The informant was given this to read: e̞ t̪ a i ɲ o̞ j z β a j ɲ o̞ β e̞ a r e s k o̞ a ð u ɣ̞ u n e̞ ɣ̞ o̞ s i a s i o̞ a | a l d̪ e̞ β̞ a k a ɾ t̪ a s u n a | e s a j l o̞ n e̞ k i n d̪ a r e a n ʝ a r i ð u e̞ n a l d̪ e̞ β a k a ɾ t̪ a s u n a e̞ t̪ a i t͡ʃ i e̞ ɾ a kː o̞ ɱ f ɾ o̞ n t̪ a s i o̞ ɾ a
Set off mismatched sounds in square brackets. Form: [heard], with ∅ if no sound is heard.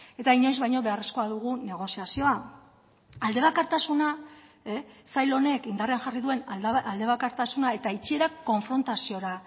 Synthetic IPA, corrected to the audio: e̞ t̪ a i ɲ o̞ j z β a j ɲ o̞ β e̞ a r e s k o̞ a ð u ɣ̞ u n e̞ ɣ̞ o̞ s i a s i o̞ a | a l d̪ e̞ β̞ a k a ɾ t̪ a s u n a | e s a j l o̞ n e̞ k i n d̪ a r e a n ʝ a r i ð u e̞ n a l d̪ e̞ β a k a ɾ t̪ a s u n a e̞ t̪ a i t͡ʃ i e̞ ɾ a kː o̞ ɱ f ɾ o̞ n t̪ a s i o̞ ɾ a